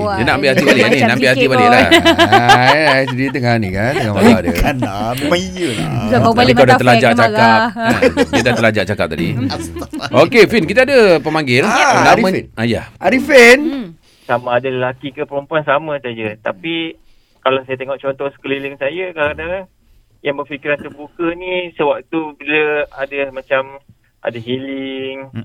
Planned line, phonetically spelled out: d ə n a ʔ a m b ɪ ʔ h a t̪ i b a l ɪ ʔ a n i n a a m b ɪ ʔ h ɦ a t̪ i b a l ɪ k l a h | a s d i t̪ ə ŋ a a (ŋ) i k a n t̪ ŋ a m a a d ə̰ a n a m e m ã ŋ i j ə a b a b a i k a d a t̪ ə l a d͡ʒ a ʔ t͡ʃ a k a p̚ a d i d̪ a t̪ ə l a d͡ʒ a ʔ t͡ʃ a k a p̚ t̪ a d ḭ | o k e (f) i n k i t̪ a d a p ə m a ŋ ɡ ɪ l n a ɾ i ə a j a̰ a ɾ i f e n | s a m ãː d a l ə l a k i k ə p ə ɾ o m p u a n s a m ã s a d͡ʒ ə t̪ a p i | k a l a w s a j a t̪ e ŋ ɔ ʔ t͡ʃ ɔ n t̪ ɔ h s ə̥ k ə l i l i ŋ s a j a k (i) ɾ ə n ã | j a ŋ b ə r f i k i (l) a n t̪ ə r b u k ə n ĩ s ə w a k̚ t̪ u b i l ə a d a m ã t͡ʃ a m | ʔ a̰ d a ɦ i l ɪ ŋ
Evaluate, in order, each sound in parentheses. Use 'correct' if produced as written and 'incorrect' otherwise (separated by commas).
incorrect, correct, incorrect, incorrect